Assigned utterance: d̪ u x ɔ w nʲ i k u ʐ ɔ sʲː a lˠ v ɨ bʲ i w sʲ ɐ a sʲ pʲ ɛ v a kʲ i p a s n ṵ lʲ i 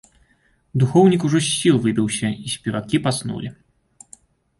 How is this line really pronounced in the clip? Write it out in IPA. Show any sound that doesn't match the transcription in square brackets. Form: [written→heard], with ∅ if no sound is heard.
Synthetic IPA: d̪ u x ɔ w nʲ i k u ʐ ɔ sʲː [a→i] lˠ v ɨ bʲ i w sʲ ɐ [a→i] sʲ pʲ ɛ v a kʲ i p a s n ṵ lʲ i